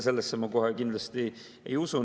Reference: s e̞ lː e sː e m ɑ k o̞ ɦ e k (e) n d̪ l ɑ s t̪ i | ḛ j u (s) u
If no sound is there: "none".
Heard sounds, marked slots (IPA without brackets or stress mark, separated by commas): i, s